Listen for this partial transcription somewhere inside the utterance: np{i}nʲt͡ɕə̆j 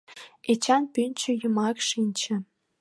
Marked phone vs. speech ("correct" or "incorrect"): incorrect